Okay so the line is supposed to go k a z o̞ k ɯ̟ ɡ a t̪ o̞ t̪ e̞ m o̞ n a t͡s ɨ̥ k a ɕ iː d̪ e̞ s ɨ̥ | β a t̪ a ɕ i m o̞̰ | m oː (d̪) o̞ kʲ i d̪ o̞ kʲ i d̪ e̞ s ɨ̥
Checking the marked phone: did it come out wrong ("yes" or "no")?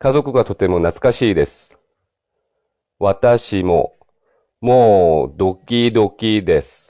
no